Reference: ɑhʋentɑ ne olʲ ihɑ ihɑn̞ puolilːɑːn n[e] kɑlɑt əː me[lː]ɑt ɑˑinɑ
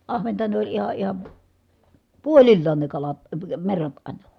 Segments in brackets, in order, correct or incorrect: correct, incorrect: rː

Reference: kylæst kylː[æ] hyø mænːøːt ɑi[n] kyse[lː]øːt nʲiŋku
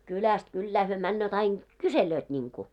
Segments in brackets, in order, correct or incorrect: incorrect: æː, correct, incorrect: l

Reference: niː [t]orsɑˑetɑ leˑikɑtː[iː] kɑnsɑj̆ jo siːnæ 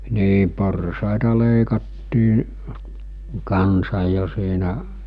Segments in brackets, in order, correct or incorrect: incorrect: p, correct

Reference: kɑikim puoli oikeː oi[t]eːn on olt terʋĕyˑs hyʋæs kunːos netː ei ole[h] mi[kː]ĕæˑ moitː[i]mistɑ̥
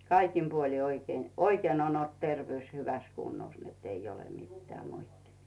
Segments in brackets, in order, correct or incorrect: incorrect: k, incorrect: none, incorrect: tː, correct

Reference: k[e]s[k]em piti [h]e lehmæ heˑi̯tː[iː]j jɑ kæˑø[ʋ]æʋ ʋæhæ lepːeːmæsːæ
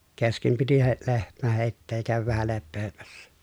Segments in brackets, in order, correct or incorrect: correct, correct, correct, incorrect: eː, correct

